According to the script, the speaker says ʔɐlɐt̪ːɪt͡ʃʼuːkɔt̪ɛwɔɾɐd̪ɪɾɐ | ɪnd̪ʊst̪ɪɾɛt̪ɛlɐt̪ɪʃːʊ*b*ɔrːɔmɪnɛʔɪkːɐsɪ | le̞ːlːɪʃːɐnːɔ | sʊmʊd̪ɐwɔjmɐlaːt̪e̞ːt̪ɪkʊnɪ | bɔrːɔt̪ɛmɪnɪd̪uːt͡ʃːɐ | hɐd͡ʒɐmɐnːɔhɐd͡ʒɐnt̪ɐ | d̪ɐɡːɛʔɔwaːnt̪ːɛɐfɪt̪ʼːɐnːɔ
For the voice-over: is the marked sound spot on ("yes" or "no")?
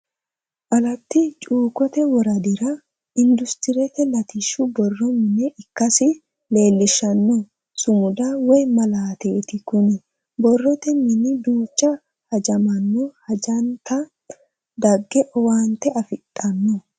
yes